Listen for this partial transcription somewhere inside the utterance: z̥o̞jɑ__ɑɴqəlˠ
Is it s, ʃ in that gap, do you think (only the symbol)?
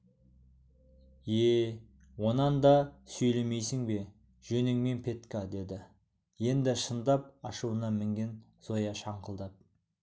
ʃ